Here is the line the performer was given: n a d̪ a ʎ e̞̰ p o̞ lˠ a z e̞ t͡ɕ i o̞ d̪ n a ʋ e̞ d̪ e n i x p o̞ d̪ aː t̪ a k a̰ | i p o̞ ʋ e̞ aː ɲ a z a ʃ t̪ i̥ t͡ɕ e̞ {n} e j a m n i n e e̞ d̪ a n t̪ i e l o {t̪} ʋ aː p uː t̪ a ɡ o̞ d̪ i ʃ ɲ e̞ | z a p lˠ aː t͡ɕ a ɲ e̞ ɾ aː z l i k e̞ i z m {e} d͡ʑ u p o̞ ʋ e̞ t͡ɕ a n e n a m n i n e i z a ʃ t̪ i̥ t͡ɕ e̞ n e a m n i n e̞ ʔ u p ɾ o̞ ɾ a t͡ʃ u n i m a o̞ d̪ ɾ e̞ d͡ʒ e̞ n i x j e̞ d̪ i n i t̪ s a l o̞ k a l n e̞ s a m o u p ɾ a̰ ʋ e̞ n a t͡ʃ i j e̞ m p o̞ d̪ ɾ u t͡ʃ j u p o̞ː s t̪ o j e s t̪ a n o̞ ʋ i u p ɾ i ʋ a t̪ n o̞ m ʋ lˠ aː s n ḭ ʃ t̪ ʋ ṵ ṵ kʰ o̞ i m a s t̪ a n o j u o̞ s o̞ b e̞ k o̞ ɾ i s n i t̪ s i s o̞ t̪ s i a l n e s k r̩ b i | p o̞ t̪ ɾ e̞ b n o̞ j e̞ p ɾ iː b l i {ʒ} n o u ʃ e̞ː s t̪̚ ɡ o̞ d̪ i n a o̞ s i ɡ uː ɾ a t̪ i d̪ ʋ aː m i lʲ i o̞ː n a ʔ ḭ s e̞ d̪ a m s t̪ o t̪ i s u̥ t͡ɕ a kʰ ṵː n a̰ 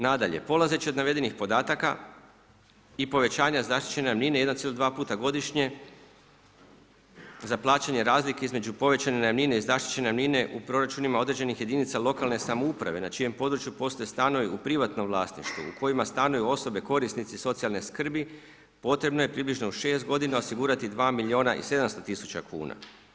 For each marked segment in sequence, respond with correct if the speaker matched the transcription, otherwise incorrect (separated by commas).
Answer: correct, incorrect, correct, correct